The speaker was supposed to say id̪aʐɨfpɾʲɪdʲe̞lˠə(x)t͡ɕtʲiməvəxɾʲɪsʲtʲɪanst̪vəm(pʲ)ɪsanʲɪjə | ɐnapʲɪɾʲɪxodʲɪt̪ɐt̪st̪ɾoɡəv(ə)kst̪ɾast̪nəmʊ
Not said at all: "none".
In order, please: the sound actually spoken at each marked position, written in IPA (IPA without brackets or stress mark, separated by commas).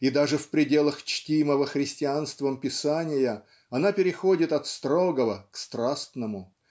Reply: x, pʲ, ə